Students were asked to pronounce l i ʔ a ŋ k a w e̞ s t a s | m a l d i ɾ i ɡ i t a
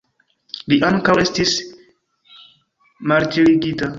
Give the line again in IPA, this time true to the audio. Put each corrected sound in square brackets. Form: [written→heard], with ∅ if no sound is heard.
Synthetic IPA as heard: l i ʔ a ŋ k a w e̞ s t [a→i] s | m a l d i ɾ i ɡ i t a